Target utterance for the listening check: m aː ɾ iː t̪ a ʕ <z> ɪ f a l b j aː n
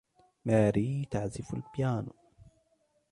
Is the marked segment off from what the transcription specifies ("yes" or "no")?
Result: no